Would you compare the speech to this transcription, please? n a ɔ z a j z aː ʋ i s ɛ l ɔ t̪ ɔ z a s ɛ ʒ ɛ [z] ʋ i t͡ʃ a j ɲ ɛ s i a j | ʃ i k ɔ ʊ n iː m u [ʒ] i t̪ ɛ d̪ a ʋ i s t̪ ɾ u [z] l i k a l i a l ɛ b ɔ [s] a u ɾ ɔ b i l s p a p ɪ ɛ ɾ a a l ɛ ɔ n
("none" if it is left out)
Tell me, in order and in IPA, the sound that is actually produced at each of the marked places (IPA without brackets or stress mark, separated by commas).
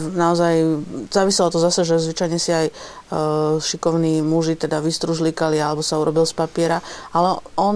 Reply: z, ʒ, ʒ, s